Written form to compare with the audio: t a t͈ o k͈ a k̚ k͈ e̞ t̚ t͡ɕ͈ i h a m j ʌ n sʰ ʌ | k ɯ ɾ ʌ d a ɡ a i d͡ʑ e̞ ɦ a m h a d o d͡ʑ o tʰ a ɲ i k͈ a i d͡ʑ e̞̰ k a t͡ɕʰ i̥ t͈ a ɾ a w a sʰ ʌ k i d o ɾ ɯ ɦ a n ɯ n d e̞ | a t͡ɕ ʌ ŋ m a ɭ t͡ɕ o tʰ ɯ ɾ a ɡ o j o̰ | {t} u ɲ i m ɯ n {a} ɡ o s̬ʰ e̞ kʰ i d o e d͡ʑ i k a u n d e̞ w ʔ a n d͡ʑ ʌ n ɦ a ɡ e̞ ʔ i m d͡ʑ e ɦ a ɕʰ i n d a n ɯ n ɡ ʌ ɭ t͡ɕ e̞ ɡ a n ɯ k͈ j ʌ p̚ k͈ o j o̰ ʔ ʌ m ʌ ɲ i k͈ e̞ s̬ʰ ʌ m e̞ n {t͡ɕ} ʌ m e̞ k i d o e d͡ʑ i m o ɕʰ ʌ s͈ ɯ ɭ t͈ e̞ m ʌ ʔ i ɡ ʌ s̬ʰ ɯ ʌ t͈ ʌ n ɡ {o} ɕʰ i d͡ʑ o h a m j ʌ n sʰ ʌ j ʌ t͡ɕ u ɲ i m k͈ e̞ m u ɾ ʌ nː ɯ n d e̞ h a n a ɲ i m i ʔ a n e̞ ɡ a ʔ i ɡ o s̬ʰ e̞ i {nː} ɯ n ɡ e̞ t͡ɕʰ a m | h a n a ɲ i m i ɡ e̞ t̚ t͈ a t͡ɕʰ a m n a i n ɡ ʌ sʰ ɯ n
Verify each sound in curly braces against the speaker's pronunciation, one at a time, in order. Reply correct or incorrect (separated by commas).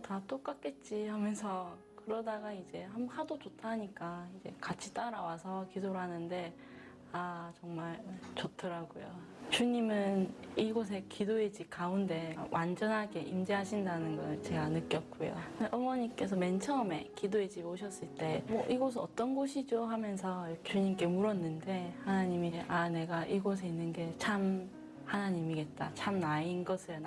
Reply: incorrect, incorrect, incorrect, correct, correct